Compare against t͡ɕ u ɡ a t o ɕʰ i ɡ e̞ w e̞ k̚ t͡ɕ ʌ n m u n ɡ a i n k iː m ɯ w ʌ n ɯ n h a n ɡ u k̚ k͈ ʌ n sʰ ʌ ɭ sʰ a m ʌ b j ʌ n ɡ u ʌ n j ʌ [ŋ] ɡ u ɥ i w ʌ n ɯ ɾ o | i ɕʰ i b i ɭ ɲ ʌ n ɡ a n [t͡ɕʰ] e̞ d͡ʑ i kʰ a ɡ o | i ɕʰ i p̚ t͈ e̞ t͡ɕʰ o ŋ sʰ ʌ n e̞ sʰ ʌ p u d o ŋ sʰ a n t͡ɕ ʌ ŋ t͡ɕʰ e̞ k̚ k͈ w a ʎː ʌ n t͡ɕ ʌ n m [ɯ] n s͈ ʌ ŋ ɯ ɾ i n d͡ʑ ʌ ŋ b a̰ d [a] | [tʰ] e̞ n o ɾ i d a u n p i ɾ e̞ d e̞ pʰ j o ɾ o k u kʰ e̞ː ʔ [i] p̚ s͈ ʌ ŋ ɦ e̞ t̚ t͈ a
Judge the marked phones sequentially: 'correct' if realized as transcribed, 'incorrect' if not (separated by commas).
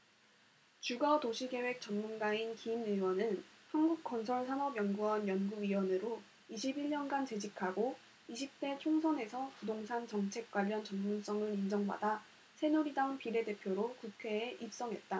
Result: incorrect, incorrect, incorrect, correct, incorrect, correct